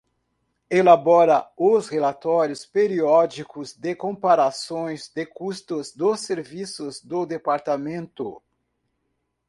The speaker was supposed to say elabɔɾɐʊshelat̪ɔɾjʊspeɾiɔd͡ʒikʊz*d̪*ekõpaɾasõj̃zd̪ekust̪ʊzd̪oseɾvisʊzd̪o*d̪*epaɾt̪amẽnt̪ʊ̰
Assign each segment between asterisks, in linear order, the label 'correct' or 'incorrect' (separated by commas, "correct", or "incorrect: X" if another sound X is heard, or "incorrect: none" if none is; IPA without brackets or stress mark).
correct, correct